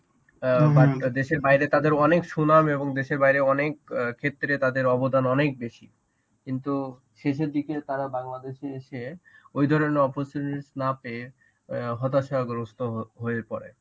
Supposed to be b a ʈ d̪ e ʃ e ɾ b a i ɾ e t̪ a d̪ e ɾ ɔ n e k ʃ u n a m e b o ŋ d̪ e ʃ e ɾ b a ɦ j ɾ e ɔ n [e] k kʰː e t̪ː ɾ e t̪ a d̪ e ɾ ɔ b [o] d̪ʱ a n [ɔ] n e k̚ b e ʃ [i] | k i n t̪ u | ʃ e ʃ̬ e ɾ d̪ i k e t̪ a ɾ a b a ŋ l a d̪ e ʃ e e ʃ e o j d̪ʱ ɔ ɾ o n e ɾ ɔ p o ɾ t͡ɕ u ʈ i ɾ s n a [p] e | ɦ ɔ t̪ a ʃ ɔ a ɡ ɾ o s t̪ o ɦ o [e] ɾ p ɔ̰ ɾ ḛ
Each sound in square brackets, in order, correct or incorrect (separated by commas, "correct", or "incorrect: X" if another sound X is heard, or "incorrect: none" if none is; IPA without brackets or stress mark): correct, correct, correct, correct, correct, correct